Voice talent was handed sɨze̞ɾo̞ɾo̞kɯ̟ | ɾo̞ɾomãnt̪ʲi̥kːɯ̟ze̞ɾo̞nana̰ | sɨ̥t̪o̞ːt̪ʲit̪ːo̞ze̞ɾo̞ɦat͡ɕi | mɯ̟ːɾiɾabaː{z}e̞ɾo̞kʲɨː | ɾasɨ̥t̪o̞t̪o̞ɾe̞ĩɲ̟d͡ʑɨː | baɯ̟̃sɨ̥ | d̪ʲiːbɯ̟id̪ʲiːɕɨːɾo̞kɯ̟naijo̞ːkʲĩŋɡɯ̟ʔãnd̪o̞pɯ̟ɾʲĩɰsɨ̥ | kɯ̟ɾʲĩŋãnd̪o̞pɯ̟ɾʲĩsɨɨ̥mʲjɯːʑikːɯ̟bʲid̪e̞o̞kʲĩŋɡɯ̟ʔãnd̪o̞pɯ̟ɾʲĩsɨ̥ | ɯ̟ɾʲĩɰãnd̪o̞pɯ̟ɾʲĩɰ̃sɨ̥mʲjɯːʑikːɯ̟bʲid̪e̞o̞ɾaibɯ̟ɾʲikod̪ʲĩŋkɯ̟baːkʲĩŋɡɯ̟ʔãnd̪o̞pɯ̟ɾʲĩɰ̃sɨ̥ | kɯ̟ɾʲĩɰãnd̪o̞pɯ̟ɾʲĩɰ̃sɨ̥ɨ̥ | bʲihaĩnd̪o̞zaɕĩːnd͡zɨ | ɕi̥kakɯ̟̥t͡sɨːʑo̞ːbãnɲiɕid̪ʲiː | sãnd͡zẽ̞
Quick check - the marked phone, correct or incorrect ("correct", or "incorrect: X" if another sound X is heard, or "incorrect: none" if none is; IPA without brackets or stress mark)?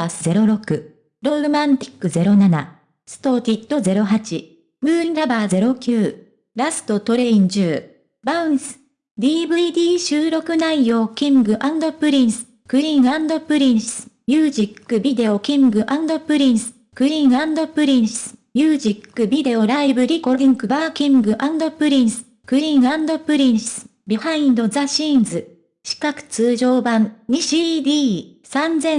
correct